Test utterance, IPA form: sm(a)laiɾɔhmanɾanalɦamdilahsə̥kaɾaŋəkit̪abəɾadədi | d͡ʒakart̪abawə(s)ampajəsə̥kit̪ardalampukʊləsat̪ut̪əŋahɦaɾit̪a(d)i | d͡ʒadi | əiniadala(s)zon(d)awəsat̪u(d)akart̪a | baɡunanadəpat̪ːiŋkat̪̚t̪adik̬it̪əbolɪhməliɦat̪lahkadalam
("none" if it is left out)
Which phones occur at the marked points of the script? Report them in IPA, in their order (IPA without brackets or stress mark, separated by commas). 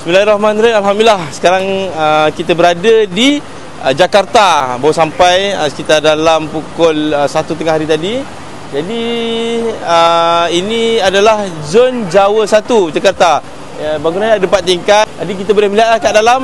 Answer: i, s, d, h, d͡ʒ, d͡ʒ